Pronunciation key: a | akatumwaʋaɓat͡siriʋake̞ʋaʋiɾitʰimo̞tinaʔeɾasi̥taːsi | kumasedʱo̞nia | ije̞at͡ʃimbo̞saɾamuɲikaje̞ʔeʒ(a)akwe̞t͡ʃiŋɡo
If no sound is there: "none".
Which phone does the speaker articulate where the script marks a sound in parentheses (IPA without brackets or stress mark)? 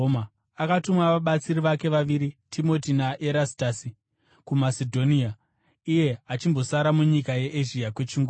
i